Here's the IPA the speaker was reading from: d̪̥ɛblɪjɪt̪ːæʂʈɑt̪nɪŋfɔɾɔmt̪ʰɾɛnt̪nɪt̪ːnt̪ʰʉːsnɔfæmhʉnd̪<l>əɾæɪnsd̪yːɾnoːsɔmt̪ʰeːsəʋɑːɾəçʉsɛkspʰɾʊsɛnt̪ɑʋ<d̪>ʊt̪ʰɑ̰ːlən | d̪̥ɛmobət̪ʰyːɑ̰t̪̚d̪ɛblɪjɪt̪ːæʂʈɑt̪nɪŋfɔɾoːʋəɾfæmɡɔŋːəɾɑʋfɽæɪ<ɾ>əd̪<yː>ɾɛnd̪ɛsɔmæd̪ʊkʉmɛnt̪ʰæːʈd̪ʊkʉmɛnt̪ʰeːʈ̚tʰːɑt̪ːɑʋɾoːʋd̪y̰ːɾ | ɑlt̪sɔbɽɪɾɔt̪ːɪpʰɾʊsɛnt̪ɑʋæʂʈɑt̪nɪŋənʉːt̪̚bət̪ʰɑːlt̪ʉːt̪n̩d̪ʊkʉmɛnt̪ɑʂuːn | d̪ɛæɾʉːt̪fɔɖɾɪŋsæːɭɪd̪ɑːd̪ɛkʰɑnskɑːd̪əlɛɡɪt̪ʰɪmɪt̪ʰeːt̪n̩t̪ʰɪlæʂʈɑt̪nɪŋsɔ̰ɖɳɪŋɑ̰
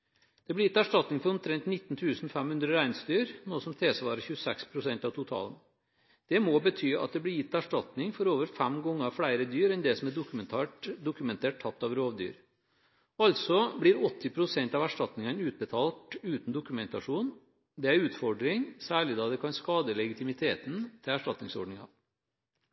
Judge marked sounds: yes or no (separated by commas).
no, no, yes, yes